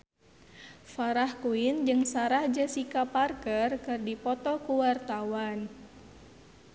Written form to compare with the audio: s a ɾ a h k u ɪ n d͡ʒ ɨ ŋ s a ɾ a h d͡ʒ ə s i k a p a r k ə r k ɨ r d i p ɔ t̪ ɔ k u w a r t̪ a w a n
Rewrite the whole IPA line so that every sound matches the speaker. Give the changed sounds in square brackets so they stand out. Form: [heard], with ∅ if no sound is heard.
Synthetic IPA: [f] a ɾ a h k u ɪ n d͡ʒ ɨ ŋ s a ɾ a h d͡ʒ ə s i k a p a r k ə r k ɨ r d i p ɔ t̪ ɔ k u w a r t̪ a w a n